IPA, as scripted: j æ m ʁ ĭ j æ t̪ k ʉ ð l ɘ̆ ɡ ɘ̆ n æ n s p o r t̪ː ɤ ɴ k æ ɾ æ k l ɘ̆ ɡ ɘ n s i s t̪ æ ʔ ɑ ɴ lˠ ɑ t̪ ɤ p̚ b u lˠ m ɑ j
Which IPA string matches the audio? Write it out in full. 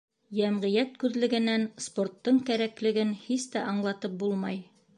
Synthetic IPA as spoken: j æ m ʁ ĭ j æ t̪ k ʉ ð l ɘ̆ ɡ ɘ̆ n æ n s p o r t̪ː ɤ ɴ k æ ɾ æ k l ɘ̆ ɡ ɘ n h i s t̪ æ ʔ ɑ ɴ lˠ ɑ t̪ ɤ p̚ b u lˠ m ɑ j